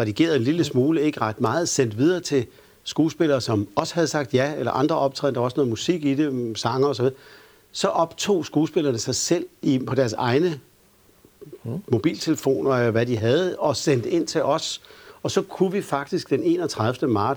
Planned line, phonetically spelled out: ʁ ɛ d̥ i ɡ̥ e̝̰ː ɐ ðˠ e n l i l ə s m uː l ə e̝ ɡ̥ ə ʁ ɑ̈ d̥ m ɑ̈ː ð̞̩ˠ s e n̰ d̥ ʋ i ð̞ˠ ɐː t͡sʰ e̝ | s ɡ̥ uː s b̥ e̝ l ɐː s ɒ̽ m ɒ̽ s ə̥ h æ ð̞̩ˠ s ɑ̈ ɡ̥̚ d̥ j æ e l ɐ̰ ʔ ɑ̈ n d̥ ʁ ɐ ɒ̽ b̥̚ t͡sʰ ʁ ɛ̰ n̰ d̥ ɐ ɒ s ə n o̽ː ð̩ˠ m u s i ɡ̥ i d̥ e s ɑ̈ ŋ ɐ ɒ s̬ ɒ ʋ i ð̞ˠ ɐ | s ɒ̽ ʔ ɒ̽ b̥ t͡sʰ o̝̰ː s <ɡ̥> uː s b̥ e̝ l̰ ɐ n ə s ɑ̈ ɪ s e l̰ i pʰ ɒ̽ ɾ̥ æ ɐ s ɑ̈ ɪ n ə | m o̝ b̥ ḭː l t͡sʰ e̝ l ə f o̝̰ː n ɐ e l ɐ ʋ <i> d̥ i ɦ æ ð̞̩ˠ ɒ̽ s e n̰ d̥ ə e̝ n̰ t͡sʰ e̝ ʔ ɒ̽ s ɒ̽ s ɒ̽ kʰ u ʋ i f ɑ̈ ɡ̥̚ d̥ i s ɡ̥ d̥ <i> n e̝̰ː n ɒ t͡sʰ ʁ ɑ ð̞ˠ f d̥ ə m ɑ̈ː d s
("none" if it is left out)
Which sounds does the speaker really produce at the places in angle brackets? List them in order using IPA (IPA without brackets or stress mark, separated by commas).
ɡ̥, æ, e